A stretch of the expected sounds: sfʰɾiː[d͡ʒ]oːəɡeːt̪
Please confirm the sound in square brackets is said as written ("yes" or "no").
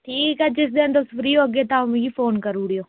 no